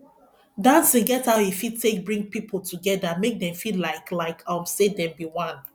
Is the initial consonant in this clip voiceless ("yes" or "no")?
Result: no